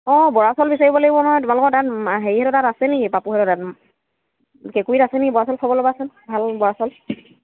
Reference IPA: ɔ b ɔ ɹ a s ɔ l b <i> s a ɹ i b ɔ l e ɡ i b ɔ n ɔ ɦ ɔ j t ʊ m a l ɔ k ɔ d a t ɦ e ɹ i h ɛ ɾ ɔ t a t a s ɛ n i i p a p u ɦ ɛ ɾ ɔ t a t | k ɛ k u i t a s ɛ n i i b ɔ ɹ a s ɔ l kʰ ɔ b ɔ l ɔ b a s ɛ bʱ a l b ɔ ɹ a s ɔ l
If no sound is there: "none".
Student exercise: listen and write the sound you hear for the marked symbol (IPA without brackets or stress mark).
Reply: i